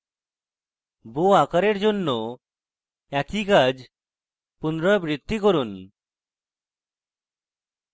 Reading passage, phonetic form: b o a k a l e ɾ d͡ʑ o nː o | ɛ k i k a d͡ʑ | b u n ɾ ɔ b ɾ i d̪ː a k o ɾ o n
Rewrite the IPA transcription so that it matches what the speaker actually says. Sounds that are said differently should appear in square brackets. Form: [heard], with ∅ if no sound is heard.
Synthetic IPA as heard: b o a k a [ɾ] e ɾ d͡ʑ o nː o | ɛ k i k a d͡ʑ | [p] u n ɾ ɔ b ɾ i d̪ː [i] k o ɾ [u] n